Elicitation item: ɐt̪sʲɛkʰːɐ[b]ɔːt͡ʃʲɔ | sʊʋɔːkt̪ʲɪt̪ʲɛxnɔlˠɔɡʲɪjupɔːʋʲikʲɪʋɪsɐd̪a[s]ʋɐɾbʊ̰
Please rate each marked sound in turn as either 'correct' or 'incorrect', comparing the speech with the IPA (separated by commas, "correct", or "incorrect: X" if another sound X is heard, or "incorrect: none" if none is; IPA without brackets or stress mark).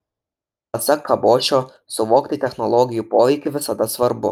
correct, correct